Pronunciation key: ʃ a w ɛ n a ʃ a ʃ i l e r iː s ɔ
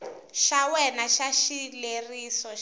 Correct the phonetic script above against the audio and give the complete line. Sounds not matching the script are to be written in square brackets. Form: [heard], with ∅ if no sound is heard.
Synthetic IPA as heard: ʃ a w ɛ n a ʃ a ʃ i l e r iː s ɔ